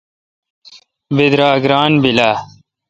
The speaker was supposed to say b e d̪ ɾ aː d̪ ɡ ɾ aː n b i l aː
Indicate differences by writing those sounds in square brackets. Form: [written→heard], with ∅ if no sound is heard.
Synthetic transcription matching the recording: b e d̪ ɾ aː [d̪→∅] ɡ ɾ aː n b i l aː